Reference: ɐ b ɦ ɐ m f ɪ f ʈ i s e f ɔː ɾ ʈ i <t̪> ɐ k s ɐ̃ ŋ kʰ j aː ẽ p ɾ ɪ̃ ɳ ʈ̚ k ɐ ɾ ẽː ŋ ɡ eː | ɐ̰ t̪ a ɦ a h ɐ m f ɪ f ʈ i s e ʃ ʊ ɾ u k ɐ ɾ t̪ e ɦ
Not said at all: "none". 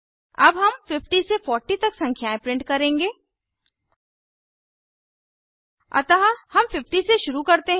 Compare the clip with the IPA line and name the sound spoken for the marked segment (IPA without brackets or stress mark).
t̪